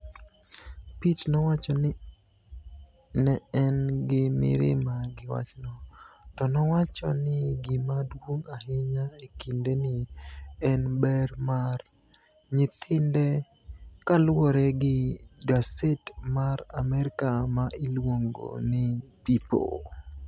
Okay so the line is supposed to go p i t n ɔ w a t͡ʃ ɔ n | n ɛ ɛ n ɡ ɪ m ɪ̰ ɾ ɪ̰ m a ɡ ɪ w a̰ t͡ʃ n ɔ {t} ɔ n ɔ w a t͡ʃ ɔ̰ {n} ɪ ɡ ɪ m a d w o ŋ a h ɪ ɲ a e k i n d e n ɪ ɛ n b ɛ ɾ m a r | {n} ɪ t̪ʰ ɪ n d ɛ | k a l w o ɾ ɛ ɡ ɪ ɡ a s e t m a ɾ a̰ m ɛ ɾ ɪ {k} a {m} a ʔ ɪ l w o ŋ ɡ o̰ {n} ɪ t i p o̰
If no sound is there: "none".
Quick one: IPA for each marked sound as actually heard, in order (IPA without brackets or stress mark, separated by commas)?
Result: t, n, ɲ, k, m, n